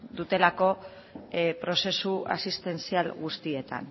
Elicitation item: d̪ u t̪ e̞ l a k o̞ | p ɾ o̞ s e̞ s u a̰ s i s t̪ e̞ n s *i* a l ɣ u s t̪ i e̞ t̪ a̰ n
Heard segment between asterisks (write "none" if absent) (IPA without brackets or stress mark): i